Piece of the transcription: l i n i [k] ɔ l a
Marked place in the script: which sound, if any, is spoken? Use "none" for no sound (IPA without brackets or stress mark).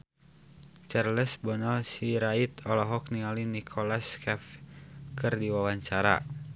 kʰ